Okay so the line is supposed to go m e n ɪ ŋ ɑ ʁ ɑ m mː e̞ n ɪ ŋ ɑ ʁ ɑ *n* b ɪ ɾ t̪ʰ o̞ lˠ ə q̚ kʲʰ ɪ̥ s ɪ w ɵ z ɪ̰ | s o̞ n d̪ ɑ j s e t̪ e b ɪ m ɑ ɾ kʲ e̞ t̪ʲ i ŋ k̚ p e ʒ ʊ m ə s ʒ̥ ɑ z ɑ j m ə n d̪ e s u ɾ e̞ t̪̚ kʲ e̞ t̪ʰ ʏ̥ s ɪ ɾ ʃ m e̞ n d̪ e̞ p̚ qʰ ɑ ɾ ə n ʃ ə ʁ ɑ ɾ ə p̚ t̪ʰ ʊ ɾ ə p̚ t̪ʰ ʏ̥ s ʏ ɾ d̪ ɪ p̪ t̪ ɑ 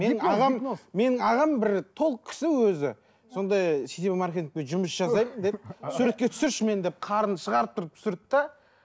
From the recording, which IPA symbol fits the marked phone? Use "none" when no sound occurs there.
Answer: m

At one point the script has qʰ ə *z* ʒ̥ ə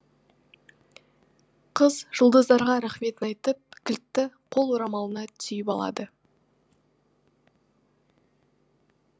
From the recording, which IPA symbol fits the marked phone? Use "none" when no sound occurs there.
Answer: z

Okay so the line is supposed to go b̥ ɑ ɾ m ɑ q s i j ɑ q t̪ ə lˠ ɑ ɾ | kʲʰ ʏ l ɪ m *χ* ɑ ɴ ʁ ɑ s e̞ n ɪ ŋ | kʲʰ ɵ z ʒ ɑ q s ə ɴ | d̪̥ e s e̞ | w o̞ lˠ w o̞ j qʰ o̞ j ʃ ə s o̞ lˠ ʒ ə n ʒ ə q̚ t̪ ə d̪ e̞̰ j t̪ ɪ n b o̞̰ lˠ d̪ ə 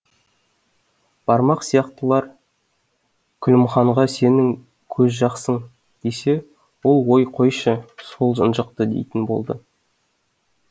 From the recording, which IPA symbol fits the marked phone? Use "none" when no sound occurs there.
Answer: χ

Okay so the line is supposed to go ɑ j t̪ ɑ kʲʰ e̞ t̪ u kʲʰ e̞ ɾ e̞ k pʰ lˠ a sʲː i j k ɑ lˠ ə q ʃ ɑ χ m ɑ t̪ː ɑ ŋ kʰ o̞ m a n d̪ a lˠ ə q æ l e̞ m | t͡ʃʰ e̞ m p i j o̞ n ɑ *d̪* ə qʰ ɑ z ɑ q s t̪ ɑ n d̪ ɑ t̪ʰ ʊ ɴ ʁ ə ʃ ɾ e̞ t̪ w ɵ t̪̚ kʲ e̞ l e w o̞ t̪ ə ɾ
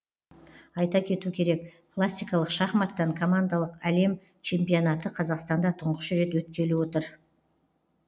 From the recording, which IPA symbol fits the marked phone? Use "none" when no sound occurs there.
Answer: t̪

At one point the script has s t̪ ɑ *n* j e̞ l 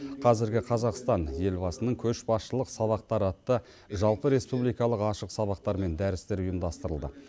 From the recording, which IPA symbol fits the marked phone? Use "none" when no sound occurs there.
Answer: n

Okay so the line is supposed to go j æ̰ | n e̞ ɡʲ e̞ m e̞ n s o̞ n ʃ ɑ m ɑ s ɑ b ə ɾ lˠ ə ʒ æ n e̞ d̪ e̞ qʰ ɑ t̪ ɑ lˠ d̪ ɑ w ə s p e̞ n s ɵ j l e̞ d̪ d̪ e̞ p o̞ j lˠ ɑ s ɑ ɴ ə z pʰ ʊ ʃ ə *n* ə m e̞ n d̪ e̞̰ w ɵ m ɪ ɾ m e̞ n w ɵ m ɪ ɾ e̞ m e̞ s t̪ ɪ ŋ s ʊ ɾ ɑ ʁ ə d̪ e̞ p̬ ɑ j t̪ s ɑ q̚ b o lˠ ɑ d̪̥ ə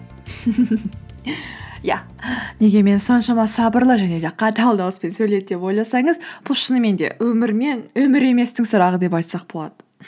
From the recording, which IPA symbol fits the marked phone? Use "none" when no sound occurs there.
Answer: n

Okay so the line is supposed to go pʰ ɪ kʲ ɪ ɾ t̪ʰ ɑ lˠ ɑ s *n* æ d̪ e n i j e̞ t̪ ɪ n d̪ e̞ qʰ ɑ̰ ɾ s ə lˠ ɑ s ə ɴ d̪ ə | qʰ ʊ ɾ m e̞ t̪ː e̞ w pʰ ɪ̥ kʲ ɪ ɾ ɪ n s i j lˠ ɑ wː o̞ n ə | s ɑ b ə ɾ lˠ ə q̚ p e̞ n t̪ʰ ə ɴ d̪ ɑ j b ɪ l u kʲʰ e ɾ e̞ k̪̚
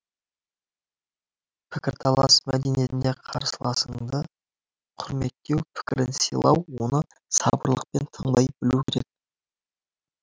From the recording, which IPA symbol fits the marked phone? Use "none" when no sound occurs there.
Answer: m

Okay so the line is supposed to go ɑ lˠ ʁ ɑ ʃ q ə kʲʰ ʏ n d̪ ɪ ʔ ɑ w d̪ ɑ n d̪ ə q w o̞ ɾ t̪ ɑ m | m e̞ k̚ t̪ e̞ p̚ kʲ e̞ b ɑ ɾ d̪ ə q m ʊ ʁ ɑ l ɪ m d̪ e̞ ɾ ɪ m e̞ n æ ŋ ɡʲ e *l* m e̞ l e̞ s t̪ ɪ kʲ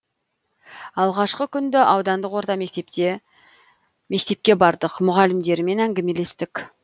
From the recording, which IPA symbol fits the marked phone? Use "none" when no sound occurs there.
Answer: none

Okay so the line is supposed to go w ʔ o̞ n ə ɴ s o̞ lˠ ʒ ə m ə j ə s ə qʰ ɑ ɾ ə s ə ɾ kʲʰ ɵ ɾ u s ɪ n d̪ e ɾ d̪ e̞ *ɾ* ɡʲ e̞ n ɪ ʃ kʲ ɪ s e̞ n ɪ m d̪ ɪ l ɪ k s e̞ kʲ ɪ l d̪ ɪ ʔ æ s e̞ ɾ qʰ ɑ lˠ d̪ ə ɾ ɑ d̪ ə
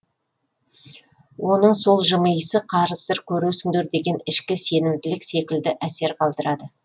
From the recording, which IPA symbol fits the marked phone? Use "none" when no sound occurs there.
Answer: none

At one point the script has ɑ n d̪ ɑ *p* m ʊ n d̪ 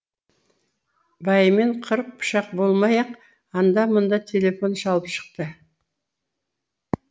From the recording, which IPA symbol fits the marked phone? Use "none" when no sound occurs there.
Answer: none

